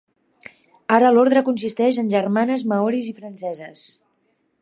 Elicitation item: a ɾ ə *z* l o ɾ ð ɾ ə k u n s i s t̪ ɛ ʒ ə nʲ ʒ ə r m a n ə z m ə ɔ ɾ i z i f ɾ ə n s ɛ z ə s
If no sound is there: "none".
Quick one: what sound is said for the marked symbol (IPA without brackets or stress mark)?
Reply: none